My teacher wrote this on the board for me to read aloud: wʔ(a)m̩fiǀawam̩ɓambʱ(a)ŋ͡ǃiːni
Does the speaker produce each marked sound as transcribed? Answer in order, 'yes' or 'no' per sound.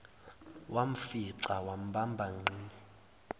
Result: yes, yes

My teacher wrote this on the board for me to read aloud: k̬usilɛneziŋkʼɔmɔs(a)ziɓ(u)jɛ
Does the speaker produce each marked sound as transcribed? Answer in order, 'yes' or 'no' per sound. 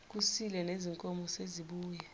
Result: no, no

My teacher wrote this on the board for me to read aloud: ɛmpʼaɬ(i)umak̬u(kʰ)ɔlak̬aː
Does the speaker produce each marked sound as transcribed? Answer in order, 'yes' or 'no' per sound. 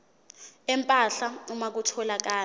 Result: no, no

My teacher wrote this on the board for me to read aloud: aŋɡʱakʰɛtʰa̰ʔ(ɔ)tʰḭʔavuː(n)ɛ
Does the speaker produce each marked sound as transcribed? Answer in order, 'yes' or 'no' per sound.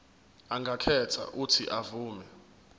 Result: no, no

